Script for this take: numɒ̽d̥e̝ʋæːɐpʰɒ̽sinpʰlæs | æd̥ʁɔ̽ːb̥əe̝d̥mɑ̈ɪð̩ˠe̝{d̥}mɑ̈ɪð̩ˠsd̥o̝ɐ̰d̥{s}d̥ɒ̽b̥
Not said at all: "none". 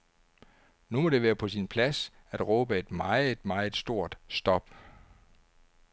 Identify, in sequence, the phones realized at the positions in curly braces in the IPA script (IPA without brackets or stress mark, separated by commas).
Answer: d̥, s